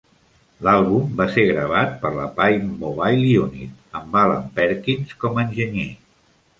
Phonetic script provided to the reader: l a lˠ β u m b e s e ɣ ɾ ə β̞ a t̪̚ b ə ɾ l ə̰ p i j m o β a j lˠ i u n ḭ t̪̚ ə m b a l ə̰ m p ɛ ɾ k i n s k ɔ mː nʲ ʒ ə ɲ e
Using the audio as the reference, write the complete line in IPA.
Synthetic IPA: l a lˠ β u m b a s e ɣ ɾ ə β̞ a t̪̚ p ə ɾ l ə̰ p a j m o β a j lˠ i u n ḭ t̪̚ ə m b a l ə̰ m p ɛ ɾ k i n s k ɔ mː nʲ ʒ ə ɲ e